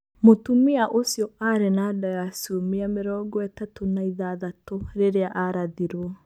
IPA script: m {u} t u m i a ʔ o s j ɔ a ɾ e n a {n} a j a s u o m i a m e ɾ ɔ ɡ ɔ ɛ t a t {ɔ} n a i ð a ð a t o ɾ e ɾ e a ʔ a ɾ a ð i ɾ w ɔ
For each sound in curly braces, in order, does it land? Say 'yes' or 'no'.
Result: no, no, no

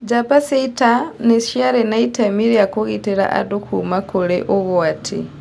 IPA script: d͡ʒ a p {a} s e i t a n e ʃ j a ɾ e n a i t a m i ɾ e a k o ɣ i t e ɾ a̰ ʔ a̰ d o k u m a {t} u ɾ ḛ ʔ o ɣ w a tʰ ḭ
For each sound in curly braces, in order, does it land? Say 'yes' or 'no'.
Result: yes, no

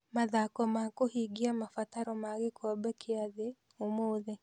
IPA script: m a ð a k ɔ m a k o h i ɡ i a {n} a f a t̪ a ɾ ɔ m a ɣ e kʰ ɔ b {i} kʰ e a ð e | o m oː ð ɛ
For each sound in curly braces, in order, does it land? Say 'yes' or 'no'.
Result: no, no

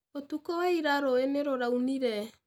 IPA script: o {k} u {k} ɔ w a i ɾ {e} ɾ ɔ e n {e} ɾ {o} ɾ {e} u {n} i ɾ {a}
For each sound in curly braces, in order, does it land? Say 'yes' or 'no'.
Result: no, yes, no, yes, yes, no, yes, no

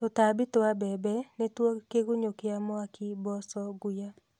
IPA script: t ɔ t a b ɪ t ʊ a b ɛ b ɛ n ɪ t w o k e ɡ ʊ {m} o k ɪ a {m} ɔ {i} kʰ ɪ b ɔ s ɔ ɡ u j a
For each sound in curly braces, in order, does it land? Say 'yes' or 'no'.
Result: no, yes, no

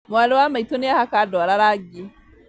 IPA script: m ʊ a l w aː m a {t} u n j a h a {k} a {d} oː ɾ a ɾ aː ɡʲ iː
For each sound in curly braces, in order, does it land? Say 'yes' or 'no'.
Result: yes, yes, yes

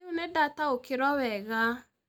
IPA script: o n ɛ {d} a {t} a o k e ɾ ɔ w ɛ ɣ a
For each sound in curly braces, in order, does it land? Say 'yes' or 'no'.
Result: yes, yes

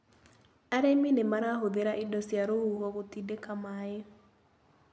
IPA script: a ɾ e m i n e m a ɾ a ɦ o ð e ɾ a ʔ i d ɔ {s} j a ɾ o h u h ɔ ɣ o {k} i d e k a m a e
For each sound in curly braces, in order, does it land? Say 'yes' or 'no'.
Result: yes, no

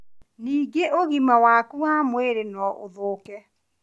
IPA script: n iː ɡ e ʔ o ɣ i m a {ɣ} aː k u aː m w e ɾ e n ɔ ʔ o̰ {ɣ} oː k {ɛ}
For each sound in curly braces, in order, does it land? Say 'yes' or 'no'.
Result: no, no, yes

